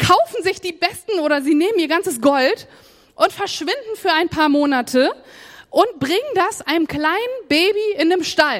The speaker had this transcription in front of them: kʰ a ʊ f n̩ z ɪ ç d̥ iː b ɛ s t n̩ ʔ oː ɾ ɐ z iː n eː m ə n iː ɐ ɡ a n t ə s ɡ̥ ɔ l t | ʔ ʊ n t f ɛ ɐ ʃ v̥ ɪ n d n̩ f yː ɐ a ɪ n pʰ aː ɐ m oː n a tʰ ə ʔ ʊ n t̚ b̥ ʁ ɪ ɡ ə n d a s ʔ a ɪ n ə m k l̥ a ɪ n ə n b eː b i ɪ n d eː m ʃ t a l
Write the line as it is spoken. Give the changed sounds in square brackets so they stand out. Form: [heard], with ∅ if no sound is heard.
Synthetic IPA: kʰ a ʊ f n̩ z ɪ ç d̥ iː b ɛ s t n̩ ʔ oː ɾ ɐ z iː n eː m ə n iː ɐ ɡ a n [t͡s] ə s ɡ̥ ɔ l t | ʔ ʊ n t f ɛ ɐ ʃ v̥ ɪ n d n̩ f yː ɐ a ɪ n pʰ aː ɐ m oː n a tʰ ə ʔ ʊ n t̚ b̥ ʁ ɪ [ŋ] ə n d a s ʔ a ɪ n ə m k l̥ a ɪ n ə n b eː b i ɪ n d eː m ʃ t a l